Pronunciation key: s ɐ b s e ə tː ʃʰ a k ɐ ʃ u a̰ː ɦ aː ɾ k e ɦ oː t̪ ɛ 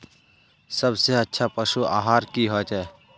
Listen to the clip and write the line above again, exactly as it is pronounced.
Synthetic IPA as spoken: s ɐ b s e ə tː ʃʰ a p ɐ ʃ u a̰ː ɦ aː ɾ k i ɦ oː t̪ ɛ